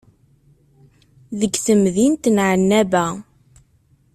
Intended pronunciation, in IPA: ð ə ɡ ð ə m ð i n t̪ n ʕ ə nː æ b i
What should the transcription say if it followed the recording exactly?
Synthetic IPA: ð ə ɡ θ ə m ð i n t̪ n ʕ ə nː æ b æ